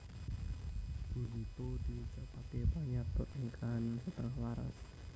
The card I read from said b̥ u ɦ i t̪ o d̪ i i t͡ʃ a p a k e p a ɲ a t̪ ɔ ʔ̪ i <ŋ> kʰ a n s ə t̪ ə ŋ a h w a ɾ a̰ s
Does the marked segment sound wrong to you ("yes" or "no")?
no